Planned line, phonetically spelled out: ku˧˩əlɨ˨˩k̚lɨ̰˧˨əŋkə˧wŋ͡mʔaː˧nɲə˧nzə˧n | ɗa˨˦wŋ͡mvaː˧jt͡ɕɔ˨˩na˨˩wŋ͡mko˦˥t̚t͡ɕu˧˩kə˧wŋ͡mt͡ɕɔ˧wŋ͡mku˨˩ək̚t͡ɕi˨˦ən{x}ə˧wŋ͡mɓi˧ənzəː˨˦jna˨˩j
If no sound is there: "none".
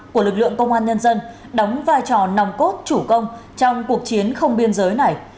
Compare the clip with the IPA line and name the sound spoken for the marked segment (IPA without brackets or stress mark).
x